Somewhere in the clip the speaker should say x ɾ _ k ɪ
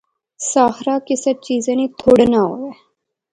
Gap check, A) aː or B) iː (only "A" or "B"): A